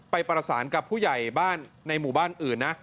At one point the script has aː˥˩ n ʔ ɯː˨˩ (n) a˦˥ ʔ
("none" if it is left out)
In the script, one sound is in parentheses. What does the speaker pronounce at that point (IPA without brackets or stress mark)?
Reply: nː